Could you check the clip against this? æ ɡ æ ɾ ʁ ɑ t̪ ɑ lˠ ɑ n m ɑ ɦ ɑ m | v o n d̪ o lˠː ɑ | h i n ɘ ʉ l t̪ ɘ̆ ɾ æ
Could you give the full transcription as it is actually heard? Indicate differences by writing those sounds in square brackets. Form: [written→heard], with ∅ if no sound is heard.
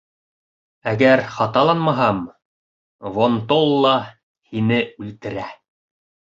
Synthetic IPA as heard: æ ɡ æ ɾ [ʁ→χ] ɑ t̪ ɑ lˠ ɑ n m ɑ ɦ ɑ m | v o n [d̪→t̪] o lˠː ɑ | h i n ɘ ʉ l t̪ ɘ̆ ɾ æ